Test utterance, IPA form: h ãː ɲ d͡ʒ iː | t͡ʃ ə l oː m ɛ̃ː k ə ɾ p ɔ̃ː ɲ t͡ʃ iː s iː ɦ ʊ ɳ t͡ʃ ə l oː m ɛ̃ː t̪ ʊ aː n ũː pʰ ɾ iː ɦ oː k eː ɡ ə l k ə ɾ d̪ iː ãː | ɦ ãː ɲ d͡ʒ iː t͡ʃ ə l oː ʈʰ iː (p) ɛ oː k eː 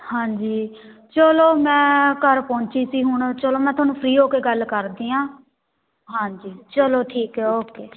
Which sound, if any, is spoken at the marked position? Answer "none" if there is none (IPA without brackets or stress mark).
k